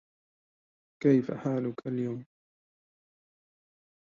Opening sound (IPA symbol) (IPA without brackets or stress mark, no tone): k